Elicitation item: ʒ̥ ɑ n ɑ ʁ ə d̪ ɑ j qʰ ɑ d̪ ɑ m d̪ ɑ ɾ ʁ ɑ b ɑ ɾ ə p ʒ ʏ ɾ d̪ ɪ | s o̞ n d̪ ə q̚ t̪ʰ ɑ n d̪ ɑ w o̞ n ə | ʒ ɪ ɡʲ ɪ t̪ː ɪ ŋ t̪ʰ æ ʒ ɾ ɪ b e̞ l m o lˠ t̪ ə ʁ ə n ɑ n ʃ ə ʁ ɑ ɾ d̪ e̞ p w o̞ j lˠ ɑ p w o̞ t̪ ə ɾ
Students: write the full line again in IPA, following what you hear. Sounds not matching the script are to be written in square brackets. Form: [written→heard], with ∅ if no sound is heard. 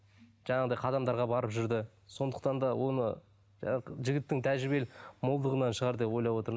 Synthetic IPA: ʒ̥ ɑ [n→ɴ] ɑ ʁ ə d̪ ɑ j qʰ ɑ d̪ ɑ m d̪ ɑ ɾ ʁ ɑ b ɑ ɾ ə p ʒ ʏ ɾ d̪ ɪ | s o̞ n d̪ ə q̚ [t̪ʰ→t̪] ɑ n d̪ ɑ w o̞ n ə | ʒ ɪ ɡʲ ɪ t̪ː ɪ ŋ t̪ʰ æ ʒ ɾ ɪ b e̞ l m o lˠ [t̪→d̪] ə ʁ ə n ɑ n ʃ ə ʁ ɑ ɾ d̪ e̞ p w o̞ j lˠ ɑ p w o̞ t̪ ə ɾ